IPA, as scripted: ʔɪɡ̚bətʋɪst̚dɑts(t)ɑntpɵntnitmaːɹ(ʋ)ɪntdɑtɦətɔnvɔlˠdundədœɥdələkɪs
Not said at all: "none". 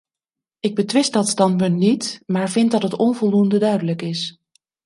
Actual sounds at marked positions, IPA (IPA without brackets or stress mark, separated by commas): t, v